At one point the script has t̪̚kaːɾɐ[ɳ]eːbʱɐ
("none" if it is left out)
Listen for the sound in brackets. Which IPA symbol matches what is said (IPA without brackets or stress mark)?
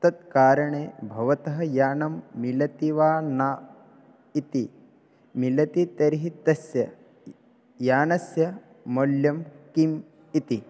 ɳ